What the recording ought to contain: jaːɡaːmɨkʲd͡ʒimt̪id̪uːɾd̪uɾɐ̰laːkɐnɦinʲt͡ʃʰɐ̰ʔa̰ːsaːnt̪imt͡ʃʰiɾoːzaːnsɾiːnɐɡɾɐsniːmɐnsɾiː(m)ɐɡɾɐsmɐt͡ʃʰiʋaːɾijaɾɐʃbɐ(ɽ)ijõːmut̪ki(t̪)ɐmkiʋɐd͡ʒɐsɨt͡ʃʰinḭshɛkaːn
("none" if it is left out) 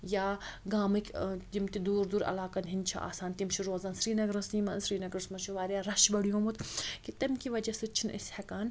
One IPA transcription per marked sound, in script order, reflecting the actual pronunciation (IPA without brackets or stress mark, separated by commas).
n, ɽ, t̪